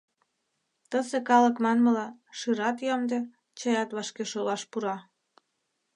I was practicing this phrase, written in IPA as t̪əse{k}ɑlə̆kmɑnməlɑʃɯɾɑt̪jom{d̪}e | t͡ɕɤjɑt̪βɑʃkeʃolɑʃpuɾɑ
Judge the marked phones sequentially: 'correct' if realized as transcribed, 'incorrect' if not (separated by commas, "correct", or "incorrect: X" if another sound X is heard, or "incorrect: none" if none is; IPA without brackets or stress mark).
correct, correct